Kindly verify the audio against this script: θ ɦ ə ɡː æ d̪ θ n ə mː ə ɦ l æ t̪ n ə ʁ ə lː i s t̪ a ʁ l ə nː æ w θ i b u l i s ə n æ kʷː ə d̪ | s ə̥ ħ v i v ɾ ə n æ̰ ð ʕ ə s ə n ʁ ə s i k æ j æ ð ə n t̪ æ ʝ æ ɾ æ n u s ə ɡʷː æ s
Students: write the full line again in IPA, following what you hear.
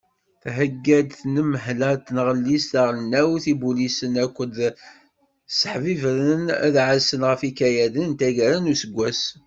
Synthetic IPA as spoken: θ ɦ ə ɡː æ d̪ θ n ə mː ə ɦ l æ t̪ n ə ʁ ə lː i s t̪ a ʁ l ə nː æ w θ i b u l i s ə n æ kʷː ə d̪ | s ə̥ ħ v i v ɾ ə n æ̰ ð ʕ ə s ə n ʁ ə f i k æ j æ ð ə n t̪ æ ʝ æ ɾ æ n u s ə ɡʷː æ s